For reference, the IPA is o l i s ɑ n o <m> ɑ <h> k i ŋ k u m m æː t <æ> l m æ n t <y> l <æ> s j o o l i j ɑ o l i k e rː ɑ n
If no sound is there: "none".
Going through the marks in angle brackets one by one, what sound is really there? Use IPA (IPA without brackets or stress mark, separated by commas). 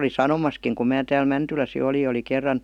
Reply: m, s, æː, y, æ